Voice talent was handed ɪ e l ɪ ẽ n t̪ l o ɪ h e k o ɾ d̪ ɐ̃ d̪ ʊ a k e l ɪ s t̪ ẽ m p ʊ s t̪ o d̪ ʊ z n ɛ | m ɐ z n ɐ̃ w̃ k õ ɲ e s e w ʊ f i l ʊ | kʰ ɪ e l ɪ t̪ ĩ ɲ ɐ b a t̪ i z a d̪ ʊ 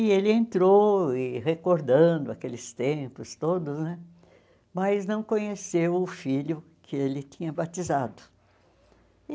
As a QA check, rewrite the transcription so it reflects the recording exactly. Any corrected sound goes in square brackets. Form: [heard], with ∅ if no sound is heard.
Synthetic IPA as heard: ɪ e l ɪ ẽ n t̪ [ɾ] o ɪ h e k o ɾ d̪ ɐ̃ d̪ ʊ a k e l ɪ s t̪ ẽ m p ʊ s t̪ o d̪ ʊ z n ɛ | m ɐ z n ɐ̃ w̃ k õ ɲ e s e w ʊ f i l ʊ | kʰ ɪ e l ɪ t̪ ĩ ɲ ɐ b a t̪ i z a d̪ ʊ

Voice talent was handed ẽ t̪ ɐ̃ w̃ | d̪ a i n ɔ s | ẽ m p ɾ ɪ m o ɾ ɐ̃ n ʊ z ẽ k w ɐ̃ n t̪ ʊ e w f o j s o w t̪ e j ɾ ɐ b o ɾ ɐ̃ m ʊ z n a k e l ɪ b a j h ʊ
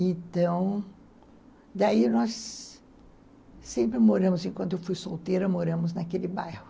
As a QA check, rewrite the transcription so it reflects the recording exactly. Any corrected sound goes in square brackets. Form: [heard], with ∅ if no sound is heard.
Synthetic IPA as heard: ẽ t̪ ɐ̃ w̃ | d̪ a i n ɔ s | ẽ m p ɾ ɪ m o ɾ ɐ̃ [m] ʊ z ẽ k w ɐ̃ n t̪ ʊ e w f [u] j s o w t̪ e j ɾ ɐ [m] o ɾ ɐ̃ m ʊ z n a k e l ɪ b a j h ʊ

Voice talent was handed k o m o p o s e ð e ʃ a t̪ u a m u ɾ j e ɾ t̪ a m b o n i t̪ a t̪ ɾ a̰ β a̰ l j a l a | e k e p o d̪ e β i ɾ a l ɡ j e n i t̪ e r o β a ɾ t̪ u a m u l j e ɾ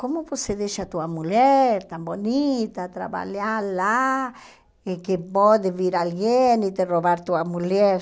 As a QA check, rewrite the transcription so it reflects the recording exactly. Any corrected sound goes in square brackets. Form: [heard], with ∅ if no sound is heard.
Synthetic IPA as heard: k o m o p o s e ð e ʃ a t̪ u a m u [l] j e ɾ t̪ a m b o n i t̪ a t̪ ɾ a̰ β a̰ l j a l a | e k e p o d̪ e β i ɾ a l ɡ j e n i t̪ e r o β a ɾ t̪ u a m u l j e ɾ

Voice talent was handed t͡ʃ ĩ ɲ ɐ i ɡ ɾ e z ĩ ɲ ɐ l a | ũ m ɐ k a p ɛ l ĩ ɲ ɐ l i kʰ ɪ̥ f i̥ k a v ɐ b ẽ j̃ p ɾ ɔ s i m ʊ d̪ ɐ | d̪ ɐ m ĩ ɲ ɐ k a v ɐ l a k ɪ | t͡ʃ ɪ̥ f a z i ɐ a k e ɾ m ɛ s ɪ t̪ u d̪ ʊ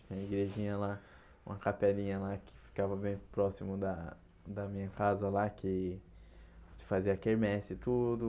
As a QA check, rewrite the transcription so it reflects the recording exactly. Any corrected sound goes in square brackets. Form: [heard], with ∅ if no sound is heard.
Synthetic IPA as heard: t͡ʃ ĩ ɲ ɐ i ɡ ɾ e [ʒ] ĩ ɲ ɐ l a | ũ m ɐ k a p ɛ l ĩ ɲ ɐ l [a] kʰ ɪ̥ f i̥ k a v ɐ b ẽ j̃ p ɾ ɔ s i m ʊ d̪ ɐ | d̪ ɐ m ĩ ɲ ɐ k a [z] ɐ l a k ɪ | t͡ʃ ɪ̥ f a z i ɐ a k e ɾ m ɛ s ɪ t̪ u d̪ ʊ

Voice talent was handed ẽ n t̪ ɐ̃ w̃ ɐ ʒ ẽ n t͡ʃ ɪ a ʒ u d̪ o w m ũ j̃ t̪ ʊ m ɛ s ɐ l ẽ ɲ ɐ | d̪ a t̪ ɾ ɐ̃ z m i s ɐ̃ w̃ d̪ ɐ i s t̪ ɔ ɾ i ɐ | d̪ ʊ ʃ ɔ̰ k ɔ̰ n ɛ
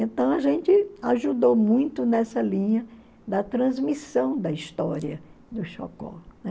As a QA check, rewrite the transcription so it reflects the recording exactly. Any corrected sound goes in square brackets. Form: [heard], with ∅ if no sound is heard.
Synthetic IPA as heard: ẽ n t̪ ɐ̃ w̃ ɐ ʒ ẽ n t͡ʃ ɪ a ʒ u d̪ o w m ũ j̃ t̪ ʊ [n] ɛ s ɐ l [ĩ] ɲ ɐ | d̪ [ɐ] t̪ ɾ ɐ̃ z m i s ɐ̃ w̃ d̪ ɐ i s t̪ ɔ ɾ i ɐ | d̪ ʊ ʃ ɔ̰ k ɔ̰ n ɛ

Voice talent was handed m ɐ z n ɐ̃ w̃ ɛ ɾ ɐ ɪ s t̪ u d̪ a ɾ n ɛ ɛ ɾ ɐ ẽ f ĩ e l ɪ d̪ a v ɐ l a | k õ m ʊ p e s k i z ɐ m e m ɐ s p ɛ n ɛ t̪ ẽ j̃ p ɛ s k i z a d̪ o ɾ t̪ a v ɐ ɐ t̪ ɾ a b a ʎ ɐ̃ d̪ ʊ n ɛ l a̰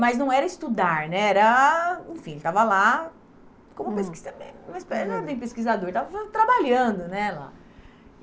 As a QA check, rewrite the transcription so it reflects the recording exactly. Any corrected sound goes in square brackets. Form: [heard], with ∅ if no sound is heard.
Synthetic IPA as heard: m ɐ z n ɐ̃ w̃ ɛ ɾ ɐ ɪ s t̪ u d̪ a ɾ n ɛ ɛ ɾ ɐ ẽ f ĩ e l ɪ [t̪] a v ɐ l a | k õ m ʊ p e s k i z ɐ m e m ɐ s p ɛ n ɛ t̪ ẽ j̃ p [e] s k i z a d̪ o ɾ t̪ a v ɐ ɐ t̪ ɾ a b a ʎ ɐ̃ d̪ ʊ n ɛ l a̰

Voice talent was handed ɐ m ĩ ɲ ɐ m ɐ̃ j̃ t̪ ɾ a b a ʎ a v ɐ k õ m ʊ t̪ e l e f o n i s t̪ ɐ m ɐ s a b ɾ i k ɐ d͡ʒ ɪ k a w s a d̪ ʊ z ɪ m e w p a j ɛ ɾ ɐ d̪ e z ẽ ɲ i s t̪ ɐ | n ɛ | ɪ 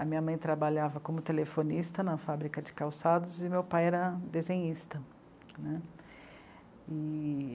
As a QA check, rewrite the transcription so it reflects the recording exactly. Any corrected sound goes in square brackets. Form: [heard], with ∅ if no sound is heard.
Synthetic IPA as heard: ɐ m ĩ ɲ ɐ m ɐ̃ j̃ t̪ ɾ a b a ʎ a v ɐ k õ m ʊ t̪ e l e f o n i s t̪ ɐ [n] ɐ [f] a b ɾ i k ɐ d͡ʒ ɪ k a w s a d̪ ʊ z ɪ m e w p a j ɛ ɾ ɐ d̪ e z ẽ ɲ i s t̪ ɐ | n ɛ | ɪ

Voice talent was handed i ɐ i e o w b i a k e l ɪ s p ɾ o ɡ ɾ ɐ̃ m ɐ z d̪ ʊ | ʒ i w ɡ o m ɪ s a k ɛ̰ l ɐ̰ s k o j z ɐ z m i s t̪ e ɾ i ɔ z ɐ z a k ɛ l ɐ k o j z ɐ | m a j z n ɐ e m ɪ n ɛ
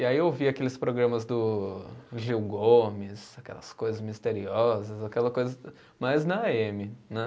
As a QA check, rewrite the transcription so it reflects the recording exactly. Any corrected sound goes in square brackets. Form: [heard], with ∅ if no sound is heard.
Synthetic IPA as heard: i [a] i e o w [v] i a k e l ɪ s p ɾ o ɡ ɾ ɐ̃ m ɐ z d̪ ʊ | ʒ i w ɡ o m ɪ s a k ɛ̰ l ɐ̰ s k o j z ɐ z m i s t̪ e ɾ i ɔ z ɐ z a k ɛ l ɐ k o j z ɐ | m a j z n ɐ e m ɪ n ɛ

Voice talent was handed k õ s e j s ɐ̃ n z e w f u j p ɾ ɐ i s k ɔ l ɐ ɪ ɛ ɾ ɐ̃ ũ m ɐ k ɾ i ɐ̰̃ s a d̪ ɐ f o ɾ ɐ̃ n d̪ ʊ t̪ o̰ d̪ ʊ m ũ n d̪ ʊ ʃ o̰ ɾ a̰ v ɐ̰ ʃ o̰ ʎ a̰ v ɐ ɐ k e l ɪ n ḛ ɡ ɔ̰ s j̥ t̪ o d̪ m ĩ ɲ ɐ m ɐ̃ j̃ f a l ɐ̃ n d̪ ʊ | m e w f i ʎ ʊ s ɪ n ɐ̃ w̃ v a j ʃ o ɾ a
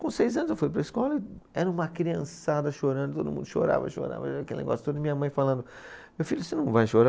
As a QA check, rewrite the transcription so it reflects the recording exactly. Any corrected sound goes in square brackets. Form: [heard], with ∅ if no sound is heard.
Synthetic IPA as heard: k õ s e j [z] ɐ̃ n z e w f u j p ɾ ɐ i s k ɔ l ɐ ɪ ɛ ɾ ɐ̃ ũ m ɐ k ɾ i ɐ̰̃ s a d̪ ɐ [ʃ] o ɾ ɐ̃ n d̪ ʊ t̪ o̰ d̪ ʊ m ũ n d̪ ʊ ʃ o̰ ɾ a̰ v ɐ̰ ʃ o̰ [ɾ] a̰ v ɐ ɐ k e l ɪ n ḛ ɡ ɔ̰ s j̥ t̪ o d̪ m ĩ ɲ ɐ m ɐ̃ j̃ f a l ɐ̃ n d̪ ʊ | m e w f i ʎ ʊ s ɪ n ɐ̃ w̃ v a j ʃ o ɾ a

